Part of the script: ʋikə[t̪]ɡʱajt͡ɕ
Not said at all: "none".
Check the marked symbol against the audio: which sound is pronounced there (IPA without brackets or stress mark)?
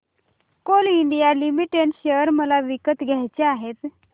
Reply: t̪